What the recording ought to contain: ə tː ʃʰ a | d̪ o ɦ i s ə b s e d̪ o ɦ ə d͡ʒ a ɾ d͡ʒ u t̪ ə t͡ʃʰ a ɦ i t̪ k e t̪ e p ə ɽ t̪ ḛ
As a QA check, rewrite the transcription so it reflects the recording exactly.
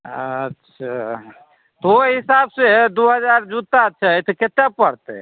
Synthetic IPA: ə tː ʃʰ a | t̪ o ɦ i s a b s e d̪ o ɦ ə d͡ʒ a ɾ d͡ʒ u t̪ a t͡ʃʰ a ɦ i t̪ k e t̪ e p ə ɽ t̪ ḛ

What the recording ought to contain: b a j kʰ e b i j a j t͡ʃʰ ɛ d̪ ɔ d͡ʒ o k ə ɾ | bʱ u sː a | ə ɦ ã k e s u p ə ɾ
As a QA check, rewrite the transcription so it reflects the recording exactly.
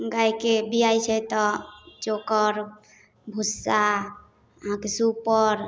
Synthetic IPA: ɡ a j k e b i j a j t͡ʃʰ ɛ t̪ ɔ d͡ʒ o k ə ɾ | bʱ u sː a | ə ɦ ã k e s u p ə ɾ

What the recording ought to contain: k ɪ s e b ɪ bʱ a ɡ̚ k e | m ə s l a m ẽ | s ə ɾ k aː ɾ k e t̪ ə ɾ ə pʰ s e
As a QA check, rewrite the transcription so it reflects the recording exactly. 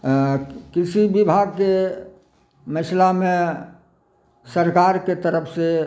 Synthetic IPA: k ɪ s i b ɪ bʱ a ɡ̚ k e | m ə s l a m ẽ | s ə ɾ k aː ɾ k e t̪ ə ɾ ə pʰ s e

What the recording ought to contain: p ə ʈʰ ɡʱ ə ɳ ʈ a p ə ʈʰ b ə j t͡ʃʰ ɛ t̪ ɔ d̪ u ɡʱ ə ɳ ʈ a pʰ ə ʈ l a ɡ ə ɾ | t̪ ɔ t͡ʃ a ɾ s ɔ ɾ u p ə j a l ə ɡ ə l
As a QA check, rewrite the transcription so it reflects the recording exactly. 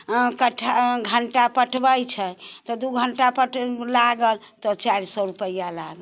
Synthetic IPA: k ə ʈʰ ɡʱ ə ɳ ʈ a p ə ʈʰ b ə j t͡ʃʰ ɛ t̪ ɔ d̪ u ɡʱ ə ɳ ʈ a p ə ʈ l a ɡ ə l | t̪ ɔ t͡ʃ a ɾ s ɔ ɾ u p ə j a l a ɡ ə l

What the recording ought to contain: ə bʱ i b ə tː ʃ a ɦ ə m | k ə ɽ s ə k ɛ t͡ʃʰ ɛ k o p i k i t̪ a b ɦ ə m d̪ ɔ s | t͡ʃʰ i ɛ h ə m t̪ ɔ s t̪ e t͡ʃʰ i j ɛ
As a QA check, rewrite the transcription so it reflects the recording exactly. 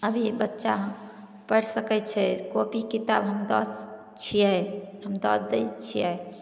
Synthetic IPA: ə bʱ i b ə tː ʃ a ɦ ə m | p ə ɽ s ə k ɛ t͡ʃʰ ɛ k o p i k i t̪ a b ɦ ə m d̪ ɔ s | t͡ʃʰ i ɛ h ə m d̪ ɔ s d̪ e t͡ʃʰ i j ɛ

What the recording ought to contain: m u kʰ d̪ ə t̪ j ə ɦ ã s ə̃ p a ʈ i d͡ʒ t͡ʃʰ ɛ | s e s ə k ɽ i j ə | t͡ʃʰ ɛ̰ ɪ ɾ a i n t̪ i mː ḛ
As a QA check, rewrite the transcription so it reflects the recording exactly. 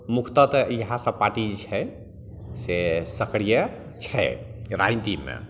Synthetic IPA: m u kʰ t̪ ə t̪ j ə ɦ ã s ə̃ p a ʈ i d͡ʒ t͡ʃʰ ɛ | s e s ə k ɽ i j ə | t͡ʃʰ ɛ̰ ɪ ɾ a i n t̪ i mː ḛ

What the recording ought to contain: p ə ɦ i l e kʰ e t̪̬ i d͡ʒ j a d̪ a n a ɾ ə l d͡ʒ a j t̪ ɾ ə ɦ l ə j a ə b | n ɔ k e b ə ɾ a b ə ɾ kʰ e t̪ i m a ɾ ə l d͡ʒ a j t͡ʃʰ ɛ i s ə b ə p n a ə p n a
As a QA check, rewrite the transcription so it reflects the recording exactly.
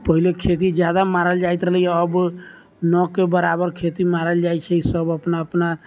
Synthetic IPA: p ə ɦ i l e kʰ e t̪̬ i d͡ʒ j a d̪ a m a ɾ ə l d͡ʒ a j t̪ ɾ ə ɦ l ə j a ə b | n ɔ k e b ə ɾ a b ə ɾ kʰ e t̪ i m a ɾ ə l d͡ʒ a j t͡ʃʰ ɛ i s ə b ə p n a ə p n a

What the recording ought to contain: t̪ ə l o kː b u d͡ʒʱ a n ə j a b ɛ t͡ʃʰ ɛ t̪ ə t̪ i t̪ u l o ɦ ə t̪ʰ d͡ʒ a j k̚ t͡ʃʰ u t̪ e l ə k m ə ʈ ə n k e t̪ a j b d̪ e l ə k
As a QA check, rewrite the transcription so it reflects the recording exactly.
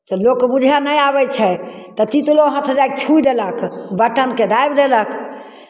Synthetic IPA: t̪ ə l o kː b u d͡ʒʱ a n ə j a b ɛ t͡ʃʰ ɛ t̪ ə t̪ i t̪ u l o ɦ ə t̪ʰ d͡ʒ a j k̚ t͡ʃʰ u d̪ e l ə k b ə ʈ ə n k e d̪ a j b d̪ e l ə k

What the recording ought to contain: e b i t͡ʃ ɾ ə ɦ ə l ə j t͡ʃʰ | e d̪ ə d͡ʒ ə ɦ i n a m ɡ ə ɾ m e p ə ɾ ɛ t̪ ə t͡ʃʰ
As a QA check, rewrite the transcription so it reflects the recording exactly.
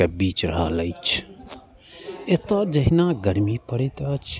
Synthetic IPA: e b i t͡ʃ ɾ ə ɦ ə l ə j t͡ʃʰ | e t̪ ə d͡ʒ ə ɦ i n a ɡ ə ɾ m i p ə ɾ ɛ t̪ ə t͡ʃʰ

